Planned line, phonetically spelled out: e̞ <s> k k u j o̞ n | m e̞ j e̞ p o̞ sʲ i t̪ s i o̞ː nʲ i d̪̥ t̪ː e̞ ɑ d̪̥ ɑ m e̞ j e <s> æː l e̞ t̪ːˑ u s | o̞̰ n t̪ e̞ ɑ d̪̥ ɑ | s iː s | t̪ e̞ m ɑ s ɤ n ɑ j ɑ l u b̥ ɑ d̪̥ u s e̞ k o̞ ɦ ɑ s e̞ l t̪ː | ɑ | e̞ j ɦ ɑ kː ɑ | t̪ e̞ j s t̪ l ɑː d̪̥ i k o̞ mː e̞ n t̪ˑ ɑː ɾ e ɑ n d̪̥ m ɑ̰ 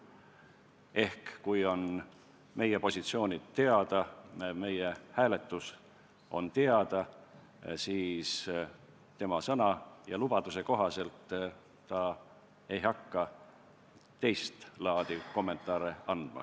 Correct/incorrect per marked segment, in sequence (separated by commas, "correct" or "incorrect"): incorrect, incorrect